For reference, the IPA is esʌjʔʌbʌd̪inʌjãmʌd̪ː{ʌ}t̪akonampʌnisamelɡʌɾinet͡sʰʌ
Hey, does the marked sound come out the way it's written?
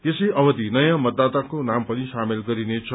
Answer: no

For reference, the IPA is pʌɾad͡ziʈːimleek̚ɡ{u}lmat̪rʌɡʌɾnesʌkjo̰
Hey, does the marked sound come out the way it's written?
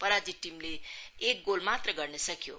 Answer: no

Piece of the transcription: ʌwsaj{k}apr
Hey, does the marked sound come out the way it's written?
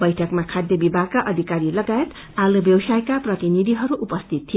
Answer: yes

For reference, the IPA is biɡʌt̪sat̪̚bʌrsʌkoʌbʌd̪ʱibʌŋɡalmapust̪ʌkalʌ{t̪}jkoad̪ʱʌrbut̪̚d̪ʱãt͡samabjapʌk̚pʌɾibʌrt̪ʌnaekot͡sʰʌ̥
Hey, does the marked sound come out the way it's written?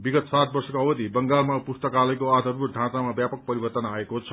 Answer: no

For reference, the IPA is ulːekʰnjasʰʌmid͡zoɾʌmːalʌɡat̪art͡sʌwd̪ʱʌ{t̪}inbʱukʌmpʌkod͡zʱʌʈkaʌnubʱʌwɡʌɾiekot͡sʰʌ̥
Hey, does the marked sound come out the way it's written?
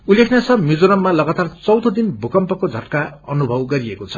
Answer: no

